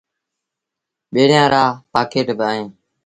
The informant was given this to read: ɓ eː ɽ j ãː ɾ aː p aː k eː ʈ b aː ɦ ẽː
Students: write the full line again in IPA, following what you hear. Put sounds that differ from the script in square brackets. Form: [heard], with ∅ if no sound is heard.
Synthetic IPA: ɓ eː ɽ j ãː ɾ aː p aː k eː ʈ b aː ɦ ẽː